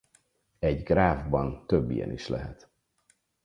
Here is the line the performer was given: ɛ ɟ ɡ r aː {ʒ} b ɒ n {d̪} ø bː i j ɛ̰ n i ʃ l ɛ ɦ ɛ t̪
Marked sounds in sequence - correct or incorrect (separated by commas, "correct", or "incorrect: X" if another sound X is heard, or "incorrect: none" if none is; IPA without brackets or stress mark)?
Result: incorrect: v, incorrect: t̪